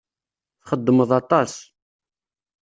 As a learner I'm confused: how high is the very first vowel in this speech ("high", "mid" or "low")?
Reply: mid